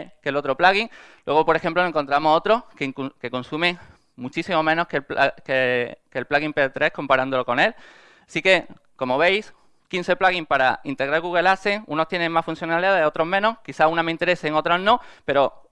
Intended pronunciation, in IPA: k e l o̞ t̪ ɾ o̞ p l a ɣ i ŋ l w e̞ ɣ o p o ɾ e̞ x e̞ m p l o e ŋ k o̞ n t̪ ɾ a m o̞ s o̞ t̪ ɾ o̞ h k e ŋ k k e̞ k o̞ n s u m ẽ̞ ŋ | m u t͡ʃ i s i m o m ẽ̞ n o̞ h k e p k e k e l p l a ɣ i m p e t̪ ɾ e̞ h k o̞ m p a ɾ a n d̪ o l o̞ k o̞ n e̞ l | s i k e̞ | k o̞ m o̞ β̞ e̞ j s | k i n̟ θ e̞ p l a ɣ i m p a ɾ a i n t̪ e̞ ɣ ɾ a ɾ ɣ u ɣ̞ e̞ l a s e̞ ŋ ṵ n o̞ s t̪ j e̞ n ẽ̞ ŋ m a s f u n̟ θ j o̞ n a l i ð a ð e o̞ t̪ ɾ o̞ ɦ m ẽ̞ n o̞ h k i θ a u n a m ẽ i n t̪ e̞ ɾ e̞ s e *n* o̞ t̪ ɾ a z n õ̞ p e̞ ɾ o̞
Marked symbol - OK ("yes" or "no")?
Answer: no